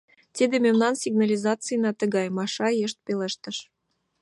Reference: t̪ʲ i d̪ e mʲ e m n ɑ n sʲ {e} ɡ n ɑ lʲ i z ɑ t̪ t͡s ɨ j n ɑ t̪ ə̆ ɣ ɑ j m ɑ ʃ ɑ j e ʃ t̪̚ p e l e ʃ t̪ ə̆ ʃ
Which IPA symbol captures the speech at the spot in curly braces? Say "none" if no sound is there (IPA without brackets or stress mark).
i